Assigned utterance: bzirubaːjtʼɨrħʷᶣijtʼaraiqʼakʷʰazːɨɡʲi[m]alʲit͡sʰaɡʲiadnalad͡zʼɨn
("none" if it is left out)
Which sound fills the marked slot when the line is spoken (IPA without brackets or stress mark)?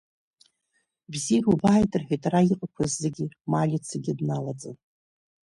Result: m